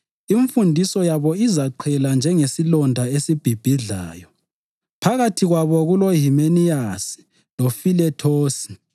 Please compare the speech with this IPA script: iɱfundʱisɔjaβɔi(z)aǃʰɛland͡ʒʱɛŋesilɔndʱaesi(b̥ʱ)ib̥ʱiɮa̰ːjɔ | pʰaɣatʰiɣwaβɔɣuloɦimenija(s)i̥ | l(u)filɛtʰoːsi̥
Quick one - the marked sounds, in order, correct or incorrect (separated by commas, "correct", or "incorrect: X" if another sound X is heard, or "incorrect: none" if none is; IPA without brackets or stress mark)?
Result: correct, correct, correct, incorrect: o